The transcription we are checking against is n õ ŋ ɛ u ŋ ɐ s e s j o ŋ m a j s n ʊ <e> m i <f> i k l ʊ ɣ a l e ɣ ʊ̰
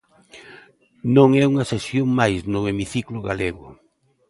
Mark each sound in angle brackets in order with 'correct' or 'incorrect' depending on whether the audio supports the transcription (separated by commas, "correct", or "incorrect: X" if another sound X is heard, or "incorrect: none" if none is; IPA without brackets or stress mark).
correct, incorrect: θ